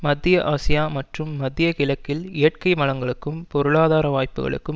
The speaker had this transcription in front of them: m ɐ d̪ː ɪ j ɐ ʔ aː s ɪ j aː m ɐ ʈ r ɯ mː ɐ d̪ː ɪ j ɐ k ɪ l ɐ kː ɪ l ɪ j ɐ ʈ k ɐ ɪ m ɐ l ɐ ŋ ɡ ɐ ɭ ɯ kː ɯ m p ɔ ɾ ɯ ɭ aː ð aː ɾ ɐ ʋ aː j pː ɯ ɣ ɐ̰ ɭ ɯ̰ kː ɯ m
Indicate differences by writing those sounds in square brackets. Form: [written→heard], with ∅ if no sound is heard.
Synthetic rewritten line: m ɐ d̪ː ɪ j ɐ ʔ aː s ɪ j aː m ɐ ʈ r ɯ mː ɐ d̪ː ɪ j ɐ k ɪ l ɐ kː ɪ l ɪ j ɐ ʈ k ɐ ɪ m ɐ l ɐ ŋ ɡ ɐ ɭ ɯ kː ɯ m p ɔ ɾ ɯ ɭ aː ð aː ɾ ɐ ʋ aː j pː ɯ ɣ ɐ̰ ɭ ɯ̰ kː ɯ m